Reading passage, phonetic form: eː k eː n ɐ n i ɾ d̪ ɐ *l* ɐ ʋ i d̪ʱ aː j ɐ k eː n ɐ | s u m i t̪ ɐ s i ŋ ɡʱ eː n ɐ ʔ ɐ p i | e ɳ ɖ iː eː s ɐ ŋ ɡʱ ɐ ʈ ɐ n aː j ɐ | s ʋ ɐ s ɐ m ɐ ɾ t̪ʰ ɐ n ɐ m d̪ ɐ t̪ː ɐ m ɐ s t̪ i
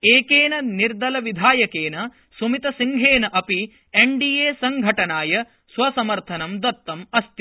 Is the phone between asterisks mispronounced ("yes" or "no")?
no